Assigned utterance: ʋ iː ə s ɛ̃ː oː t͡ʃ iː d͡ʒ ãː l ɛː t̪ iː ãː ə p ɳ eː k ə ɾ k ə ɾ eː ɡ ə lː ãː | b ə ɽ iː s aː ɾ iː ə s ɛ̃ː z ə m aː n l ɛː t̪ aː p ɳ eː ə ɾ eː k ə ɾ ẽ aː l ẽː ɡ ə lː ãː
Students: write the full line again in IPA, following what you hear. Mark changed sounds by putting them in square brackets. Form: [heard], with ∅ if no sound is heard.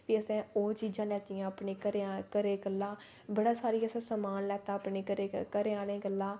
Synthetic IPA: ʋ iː ə s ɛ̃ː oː t͡ʃ iː d͡ʒ ãː l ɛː t̪ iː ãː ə p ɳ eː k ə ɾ k ə ɾ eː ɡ ə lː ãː | b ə ɽ [aː] s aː ɾ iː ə s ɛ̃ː [s] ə m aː n l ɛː t̪ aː p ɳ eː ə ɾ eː k ə ɾ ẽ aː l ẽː ɡ ə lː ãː